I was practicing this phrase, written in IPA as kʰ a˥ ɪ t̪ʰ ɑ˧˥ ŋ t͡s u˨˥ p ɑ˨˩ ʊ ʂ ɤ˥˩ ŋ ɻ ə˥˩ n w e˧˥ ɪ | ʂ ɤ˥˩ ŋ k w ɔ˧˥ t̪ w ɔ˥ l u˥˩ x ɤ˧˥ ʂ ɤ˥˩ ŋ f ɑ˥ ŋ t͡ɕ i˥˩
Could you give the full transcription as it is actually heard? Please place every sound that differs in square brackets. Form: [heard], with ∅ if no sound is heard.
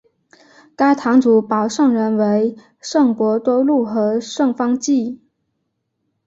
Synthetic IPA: [k] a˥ ɪ t̪ʰ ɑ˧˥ ŋ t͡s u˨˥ p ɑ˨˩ ʊ ʂ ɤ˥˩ ŋ ɻ [ə˧˥] n w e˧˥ ɪ | ʂ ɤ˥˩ ŋ k w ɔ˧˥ t̪ w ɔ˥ l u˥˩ x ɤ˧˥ ʂ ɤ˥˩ ŋ f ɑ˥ ŋ t͡ɕ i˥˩